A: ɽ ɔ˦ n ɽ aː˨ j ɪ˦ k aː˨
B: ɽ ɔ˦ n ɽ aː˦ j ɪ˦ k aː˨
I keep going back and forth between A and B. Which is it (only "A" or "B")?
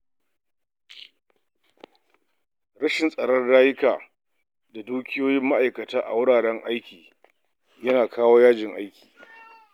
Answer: B